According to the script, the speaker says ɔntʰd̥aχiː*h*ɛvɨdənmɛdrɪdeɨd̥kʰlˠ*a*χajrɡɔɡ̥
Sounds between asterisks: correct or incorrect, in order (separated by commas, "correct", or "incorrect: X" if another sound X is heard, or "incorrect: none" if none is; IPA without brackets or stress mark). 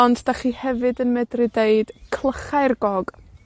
correct, incorrect: ə